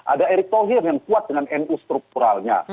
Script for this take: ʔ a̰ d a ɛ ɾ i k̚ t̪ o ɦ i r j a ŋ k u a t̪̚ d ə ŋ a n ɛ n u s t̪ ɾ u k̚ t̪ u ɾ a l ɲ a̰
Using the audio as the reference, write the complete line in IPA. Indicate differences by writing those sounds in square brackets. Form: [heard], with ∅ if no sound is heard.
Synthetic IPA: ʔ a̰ d a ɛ ɾ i k̚ t̪ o ɦ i r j a ŋ k u a t̪̚ d ə ŋ a n ɛ n u s t̪ ɾ u k̚ t̪ u ɾ a l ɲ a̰